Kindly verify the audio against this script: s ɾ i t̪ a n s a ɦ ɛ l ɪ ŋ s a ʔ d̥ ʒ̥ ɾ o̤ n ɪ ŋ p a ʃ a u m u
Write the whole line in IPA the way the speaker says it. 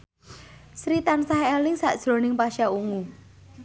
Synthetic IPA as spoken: s ɾ i t̪ a n s a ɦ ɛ l ɪ ŋ s a ʔ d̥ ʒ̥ ɾ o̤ n ɪ ŋ p a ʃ a u ŋ u